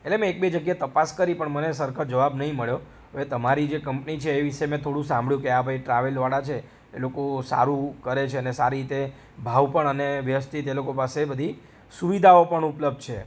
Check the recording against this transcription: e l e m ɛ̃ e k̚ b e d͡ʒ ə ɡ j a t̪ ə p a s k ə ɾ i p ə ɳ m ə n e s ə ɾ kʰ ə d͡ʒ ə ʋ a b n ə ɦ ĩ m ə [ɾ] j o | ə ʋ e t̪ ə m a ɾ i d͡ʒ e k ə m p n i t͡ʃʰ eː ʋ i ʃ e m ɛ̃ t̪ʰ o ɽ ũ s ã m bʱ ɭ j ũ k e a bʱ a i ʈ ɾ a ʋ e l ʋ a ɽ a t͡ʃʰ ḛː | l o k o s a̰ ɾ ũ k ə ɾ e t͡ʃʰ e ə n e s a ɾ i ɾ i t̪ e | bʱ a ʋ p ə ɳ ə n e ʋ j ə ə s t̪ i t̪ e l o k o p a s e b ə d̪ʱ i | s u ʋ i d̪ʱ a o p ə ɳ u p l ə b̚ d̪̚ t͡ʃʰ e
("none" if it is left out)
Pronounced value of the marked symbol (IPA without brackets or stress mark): ɭ